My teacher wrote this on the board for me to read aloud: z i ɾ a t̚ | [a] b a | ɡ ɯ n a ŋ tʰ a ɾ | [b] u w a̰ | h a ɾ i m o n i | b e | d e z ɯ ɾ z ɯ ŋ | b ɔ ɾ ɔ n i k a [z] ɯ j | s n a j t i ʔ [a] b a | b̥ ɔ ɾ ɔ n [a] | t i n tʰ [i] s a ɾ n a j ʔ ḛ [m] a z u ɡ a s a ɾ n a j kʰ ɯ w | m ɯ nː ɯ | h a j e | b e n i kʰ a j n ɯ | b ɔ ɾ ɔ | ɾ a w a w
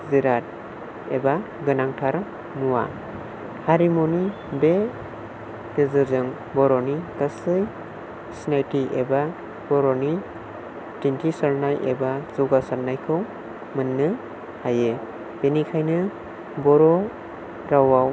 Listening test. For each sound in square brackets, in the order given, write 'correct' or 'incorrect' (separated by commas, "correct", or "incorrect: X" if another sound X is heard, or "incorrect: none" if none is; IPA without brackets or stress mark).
incorrect: e, incorrect: m, incorrect: s, incorrect: e, incorrect: i, correct, incorrect: b